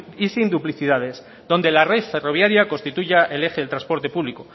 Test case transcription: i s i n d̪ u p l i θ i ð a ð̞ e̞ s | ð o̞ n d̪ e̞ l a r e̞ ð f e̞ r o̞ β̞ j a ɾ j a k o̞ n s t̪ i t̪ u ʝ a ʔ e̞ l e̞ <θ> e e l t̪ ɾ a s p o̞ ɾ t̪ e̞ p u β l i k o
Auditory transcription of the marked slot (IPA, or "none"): x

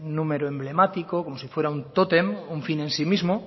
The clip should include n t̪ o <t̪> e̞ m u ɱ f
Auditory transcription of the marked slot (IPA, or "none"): t̪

